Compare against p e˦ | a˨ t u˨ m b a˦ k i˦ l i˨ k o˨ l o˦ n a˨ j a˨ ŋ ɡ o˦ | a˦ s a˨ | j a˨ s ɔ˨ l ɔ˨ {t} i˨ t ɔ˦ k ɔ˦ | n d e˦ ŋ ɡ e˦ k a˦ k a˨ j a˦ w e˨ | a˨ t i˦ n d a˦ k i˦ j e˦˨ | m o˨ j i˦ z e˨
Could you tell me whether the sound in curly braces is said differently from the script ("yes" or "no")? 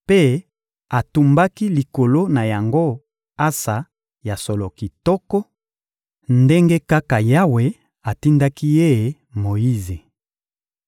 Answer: yes